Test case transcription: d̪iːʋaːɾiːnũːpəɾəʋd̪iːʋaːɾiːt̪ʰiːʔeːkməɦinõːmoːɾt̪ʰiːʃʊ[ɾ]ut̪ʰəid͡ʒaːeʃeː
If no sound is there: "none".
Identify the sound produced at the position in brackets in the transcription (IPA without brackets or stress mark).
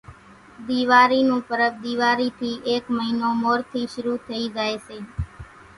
ɾ